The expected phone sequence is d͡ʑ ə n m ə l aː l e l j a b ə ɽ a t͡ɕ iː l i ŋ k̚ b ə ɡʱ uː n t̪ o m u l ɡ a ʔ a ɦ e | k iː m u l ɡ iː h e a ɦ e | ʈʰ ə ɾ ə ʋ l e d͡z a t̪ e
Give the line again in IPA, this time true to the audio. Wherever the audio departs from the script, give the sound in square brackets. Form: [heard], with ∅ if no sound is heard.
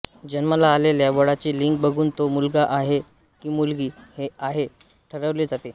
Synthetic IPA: d͡ʑ ə n m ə l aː l e l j a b ə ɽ a t͡ɕ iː l i ŋ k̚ b ə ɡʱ uː n t̪ o m u l ɡ a ʔ a ɦ e | k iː m u l ɡ iː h e a ɦ e | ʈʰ ə ɾ ə ʋ l e d͡z a t̪ e